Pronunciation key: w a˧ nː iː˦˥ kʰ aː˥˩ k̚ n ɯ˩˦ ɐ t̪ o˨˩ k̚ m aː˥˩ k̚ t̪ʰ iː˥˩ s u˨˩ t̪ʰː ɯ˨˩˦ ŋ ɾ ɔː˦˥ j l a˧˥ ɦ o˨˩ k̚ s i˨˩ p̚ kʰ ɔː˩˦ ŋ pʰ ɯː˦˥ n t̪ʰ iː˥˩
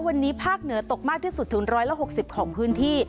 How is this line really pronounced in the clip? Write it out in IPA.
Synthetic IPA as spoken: w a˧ nː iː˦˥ pʰ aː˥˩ k̚ n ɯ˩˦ ɐ t̪ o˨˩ k̚ m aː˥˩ k̚ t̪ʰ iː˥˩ s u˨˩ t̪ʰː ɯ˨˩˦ ŋ ɾ ɔː˦˥ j l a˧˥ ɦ o˨˩ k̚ s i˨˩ p̚ kʰ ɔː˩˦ ŋ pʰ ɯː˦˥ n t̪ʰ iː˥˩